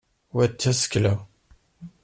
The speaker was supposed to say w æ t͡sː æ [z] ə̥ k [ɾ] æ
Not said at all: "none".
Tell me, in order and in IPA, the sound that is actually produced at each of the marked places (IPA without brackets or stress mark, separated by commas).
s, l